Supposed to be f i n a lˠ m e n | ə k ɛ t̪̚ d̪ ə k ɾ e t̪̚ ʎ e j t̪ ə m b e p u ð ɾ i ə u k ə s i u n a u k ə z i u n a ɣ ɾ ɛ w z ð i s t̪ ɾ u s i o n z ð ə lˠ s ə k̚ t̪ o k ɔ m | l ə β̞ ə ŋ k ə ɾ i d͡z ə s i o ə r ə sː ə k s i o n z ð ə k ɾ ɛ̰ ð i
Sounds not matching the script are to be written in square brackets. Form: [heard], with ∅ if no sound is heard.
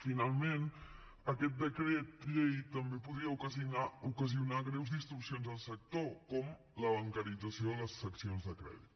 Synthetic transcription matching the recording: f i n a lˠ m e n | ə k ɛ t̪̚ d̪ ə k ɾ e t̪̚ ʎ e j t̪ ə m b e p u ð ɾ i ə u k ə [z] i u n a u k ə z i u n a ɣ ɾ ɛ w z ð i s t̪ ɾ u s i o n z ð ə lˠ s ə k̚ t̪ o k ɔ m | l ə β̞ ə ŋ k ə ɾ i d͡z ə s i o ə [l] ə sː ə k s i o n z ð ə k ɾ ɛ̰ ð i